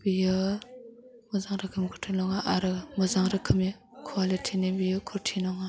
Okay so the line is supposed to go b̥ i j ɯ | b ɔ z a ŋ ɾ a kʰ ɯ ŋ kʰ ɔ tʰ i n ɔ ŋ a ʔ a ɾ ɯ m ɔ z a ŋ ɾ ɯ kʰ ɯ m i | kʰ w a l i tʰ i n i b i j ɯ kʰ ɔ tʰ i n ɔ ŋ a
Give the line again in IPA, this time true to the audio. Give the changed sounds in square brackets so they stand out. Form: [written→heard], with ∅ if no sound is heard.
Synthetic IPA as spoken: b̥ i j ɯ | [b→m] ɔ z a ŋ ɾ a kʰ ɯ [ŋ→m] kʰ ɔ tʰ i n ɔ ŋ a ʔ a ɾ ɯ m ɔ z a ŋ ɾ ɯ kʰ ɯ m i | kʰ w a l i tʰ i n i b i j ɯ kʰ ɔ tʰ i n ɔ ŋ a